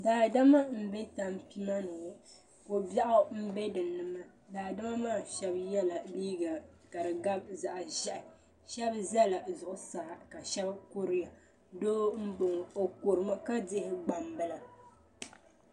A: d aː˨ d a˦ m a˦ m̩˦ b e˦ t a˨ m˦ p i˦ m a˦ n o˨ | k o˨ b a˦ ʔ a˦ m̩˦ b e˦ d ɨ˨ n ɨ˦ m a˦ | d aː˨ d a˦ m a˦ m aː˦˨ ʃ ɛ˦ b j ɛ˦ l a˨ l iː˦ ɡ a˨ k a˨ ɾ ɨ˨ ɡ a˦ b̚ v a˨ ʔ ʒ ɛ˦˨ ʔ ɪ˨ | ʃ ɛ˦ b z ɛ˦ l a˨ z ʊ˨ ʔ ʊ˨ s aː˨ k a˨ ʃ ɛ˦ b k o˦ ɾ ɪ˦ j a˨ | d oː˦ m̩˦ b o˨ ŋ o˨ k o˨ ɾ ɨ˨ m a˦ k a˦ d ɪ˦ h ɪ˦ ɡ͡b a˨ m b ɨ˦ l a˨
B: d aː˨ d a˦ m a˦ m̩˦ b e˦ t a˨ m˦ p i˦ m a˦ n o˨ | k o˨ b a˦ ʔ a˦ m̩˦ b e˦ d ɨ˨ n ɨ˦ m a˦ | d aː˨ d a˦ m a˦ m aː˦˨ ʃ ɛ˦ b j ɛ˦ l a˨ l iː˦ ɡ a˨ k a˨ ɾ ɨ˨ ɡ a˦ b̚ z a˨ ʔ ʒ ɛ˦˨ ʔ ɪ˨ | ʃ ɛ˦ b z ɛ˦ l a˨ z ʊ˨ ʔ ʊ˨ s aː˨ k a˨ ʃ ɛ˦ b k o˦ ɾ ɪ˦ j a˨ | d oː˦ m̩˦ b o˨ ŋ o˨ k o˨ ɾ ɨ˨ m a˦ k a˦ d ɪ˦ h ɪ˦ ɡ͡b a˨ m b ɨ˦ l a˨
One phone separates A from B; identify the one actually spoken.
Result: B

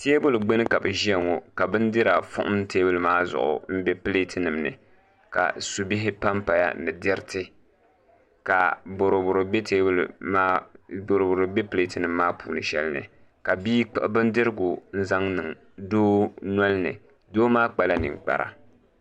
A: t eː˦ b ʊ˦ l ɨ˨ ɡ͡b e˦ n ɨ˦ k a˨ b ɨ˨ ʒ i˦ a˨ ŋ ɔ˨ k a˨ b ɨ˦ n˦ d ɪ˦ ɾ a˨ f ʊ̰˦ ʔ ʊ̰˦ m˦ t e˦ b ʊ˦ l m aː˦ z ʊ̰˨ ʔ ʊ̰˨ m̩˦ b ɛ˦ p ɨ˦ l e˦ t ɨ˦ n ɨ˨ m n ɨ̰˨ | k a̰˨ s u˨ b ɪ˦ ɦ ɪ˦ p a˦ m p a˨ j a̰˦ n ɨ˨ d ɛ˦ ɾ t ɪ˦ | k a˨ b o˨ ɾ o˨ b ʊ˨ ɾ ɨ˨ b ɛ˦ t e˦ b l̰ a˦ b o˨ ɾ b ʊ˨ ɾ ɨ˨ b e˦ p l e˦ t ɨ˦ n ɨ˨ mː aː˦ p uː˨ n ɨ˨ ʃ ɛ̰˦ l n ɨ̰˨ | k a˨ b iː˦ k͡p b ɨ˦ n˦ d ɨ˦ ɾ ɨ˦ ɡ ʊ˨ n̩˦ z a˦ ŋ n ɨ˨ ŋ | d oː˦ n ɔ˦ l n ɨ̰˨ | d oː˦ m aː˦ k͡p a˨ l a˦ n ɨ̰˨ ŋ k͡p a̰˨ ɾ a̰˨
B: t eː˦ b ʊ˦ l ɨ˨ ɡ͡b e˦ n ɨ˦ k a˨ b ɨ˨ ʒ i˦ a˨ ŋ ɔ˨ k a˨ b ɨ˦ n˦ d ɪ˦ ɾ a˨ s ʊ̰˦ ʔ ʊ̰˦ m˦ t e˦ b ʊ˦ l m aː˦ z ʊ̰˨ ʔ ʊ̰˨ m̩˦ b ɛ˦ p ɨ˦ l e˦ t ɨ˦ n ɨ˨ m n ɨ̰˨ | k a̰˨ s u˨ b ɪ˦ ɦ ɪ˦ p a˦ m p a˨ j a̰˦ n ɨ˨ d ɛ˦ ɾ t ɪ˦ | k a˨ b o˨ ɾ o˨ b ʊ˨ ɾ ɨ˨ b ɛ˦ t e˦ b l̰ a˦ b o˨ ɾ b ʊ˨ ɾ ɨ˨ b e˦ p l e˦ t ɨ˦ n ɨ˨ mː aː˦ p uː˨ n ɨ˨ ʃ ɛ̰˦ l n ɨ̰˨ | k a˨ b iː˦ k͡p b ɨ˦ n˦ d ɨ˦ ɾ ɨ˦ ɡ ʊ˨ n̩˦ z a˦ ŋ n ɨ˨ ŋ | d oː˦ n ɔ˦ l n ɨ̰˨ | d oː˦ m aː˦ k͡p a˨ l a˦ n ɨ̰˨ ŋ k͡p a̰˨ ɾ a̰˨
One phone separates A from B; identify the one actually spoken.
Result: A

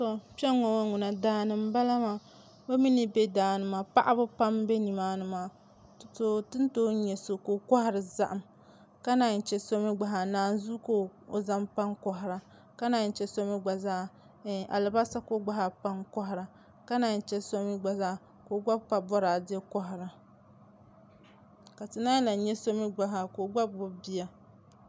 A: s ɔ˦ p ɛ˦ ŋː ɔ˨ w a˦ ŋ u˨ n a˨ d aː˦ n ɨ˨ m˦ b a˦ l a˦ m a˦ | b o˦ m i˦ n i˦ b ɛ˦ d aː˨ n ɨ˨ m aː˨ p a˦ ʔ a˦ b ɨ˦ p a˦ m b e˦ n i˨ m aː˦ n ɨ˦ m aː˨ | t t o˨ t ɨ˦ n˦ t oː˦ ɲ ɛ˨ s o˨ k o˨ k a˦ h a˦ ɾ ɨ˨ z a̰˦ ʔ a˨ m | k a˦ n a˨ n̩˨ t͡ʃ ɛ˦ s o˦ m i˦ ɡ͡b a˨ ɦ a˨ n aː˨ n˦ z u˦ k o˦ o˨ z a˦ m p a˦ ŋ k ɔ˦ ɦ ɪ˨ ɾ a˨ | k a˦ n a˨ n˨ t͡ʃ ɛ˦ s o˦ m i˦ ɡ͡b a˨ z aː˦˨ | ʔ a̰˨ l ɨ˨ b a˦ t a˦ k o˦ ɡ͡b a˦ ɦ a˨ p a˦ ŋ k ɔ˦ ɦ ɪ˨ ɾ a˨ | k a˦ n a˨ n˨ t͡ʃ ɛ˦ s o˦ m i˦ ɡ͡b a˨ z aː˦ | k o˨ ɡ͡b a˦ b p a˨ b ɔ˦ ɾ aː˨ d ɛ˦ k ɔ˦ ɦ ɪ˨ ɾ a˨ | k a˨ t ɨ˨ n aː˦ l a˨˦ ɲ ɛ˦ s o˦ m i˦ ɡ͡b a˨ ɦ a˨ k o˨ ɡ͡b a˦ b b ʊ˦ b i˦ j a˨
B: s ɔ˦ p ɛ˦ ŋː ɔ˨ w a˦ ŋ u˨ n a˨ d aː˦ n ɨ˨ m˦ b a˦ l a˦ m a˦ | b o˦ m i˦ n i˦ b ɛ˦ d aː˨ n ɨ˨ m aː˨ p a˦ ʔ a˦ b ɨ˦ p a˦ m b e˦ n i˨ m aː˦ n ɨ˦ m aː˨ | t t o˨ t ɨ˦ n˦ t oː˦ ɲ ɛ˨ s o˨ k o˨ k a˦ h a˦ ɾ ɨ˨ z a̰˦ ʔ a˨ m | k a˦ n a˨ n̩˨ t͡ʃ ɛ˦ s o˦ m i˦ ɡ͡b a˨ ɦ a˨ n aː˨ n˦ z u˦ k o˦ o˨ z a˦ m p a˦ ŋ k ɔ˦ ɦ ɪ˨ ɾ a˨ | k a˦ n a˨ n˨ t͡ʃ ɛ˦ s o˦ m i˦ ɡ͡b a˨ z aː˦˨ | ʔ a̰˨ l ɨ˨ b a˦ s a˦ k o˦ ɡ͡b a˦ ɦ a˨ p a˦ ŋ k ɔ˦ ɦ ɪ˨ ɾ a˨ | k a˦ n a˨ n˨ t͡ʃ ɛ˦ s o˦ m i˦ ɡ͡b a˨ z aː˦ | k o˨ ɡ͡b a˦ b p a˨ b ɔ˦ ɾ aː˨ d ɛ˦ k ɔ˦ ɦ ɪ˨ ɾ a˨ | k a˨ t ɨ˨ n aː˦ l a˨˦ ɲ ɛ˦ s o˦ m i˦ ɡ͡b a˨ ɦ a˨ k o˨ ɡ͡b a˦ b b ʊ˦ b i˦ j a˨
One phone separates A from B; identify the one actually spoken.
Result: B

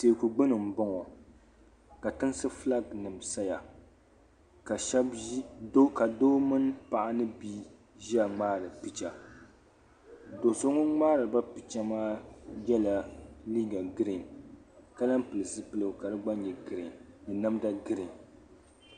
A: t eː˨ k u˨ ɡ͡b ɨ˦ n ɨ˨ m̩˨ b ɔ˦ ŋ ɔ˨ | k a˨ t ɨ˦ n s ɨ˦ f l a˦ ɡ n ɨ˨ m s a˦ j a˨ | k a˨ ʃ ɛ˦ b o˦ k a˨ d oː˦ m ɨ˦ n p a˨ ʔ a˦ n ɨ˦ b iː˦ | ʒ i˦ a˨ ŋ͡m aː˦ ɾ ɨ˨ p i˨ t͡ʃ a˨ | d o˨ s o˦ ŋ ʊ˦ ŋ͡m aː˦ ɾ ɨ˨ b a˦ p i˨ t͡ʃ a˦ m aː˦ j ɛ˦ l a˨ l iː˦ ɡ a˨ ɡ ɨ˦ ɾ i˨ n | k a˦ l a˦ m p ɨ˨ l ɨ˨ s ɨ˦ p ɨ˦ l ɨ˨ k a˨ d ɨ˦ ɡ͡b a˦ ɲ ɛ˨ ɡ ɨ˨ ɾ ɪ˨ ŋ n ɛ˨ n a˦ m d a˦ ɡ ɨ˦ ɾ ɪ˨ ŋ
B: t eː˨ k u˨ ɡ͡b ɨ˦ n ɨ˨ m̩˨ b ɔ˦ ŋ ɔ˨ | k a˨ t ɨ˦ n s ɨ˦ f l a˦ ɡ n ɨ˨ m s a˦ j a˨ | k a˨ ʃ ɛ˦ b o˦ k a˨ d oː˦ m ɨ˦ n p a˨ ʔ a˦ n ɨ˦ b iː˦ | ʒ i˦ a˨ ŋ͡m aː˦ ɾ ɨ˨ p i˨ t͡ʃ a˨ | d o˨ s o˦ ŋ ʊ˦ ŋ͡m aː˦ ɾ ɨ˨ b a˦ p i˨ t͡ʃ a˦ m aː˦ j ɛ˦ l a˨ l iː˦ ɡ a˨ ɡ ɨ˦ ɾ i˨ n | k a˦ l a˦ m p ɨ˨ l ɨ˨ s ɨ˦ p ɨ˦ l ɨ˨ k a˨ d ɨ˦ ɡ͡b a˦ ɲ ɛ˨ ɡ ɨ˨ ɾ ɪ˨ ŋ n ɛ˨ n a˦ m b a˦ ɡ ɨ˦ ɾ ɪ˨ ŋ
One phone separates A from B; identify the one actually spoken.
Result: A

